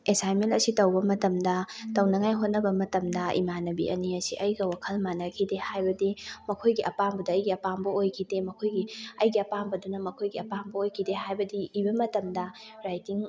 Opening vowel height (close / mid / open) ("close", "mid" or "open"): mid